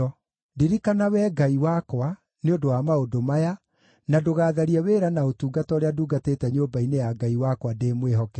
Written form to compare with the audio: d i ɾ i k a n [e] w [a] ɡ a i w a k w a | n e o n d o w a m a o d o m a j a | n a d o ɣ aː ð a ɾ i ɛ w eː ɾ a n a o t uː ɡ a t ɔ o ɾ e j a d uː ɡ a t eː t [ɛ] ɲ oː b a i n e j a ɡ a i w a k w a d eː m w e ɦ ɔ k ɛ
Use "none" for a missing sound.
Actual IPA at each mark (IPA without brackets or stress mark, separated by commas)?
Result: a, ɛ, ɛ